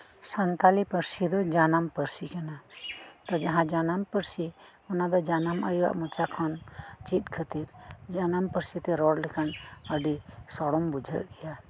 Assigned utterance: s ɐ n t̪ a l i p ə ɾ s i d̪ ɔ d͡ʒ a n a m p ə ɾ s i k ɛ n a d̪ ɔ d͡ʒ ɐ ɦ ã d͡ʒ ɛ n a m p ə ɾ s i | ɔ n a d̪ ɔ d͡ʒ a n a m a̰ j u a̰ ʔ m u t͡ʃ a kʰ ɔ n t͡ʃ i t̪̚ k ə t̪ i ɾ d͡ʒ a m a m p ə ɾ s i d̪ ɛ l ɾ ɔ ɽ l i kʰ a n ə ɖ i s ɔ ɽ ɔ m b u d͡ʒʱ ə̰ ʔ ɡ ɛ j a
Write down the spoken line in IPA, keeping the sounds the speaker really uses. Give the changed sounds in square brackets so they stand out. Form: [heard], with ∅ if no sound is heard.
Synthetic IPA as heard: s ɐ n t̪ a l i p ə ɾ s i d̪ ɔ d͡ʒ a n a m p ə ɾ s i k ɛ n a [t̪] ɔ d͡ʒ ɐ ɦ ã d͡ʒ [a] n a m p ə ɾ s i | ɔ n a d̪ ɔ d͡ʒ a n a m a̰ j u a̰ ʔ m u t͡ʃ a kʰ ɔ n t͡ʃ i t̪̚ [kʰ] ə t̪ i ɾ d͡ʒ a [n] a m p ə ɾ s i [t̪] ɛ [∅] ɾ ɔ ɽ l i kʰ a n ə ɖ i s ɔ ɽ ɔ m b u d͡ʒʱ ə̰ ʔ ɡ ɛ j a